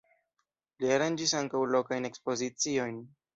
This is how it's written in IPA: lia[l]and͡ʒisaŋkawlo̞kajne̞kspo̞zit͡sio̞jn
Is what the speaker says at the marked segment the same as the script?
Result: no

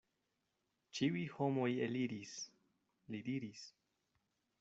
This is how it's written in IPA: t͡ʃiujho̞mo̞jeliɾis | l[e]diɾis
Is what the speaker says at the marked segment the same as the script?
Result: no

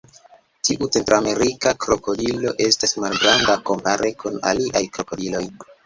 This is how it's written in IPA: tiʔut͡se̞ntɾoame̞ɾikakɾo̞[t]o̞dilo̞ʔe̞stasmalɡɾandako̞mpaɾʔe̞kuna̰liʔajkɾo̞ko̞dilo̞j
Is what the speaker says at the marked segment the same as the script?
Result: no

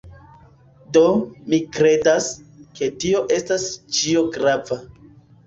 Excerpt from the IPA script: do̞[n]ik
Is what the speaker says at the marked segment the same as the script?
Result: no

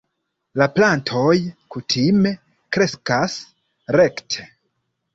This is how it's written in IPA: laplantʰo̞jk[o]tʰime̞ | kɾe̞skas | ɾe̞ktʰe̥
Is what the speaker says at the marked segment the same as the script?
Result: no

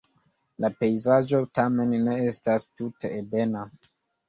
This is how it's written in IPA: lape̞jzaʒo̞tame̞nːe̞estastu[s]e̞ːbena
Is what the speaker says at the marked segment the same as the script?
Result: no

